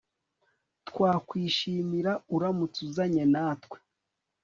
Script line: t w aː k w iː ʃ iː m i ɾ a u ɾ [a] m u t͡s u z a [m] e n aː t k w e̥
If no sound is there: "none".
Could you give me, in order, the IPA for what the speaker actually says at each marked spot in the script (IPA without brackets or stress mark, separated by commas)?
a, ɲ